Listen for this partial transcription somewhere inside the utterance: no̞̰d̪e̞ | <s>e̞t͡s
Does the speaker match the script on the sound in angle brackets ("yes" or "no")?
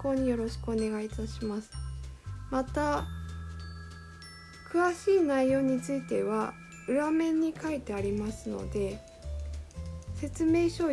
yes